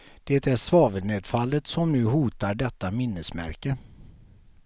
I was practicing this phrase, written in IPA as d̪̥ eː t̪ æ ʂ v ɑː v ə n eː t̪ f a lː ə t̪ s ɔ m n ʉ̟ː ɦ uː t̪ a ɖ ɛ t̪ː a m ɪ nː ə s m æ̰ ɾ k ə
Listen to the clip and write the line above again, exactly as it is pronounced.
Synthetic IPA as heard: d̪̥ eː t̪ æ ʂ v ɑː v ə n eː d̪ f a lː ə t̪ s ɔ m n ʉ̟ː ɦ uː t̪ a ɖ ɛ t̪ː a m ɪ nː ə s m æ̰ ɾ k ə